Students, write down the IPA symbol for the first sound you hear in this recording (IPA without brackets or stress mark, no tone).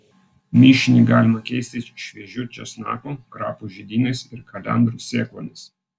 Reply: mʲ